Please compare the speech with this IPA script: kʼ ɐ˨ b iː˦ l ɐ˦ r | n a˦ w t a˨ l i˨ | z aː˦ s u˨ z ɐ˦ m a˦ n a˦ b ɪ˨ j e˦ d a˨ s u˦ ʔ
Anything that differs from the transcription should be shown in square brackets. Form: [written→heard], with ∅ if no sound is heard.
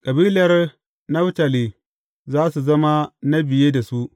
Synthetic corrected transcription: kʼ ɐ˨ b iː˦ l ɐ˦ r | n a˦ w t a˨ l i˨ | z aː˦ s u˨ z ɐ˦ m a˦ n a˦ b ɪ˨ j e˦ d a˨ s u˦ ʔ